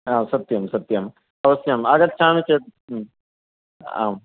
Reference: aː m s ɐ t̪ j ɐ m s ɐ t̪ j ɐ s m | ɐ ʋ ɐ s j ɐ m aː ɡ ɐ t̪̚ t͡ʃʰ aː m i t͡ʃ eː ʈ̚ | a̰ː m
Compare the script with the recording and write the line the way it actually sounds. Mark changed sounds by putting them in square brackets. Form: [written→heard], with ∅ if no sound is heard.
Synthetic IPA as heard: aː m s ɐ t̪ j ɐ m s ɐ t̪ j ɐ [s→∅] m | ɐ ʋ ɐ s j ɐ m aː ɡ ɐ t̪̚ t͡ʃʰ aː m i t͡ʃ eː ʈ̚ | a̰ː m